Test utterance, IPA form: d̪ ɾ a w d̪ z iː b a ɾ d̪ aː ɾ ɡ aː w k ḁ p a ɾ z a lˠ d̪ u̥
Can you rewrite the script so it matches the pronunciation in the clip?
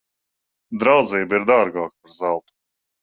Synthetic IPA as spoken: d̪ ɾ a w d̪ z iː b i ɾ d̪ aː ɾ ɡ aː k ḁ p a ɾ z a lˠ t̪ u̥